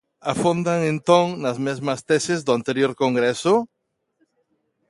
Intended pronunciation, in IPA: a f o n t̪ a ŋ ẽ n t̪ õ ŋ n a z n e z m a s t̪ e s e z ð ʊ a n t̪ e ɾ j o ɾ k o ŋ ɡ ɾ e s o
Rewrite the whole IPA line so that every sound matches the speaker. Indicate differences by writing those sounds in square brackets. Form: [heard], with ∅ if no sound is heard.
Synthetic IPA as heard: a f o n [d̪] a ŋ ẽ n t̪ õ ŋ n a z [m] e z m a s t̪ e s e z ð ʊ a n t̪ e ɾ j o ɾ k o ŋ ɡ ɾ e s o